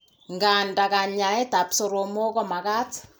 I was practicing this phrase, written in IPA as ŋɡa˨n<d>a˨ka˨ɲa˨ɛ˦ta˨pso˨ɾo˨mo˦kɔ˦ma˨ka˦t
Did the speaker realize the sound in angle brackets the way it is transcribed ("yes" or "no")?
yes